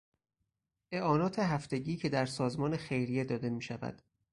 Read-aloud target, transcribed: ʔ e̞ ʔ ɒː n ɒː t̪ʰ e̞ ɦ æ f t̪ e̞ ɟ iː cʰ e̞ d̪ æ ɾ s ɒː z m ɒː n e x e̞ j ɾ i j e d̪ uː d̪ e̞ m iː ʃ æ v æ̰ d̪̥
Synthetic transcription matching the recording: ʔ e̞ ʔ ɒː n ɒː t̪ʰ e̞ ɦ æ f t̪ e̞ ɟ iː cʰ e̞ d̪ æ ɾ s ɒː z m ɒː n e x e̞ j ɾ i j e d̪ ɒː d̪ e̞ m iː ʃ æ v æ̰ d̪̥